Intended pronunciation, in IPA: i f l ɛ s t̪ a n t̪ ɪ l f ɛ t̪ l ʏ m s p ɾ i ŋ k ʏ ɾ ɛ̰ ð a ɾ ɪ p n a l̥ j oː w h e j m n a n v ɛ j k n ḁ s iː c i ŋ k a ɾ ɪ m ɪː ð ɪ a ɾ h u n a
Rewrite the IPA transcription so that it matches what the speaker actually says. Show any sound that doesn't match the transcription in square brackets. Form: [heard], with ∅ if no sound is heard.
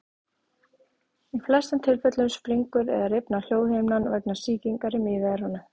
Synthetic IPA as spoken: i f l ɛ s t̪ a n [t̪ʰ] ɪ l f ɛ t̪ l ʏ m s p ɾ i ŋ k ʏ ɾ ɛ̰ ð a ɾ ɪ p n a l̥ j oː w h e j m n a n v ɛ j k n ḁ s iː c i ŋ k a ɾ ɪ m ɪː ð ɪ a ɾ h [ɔ] n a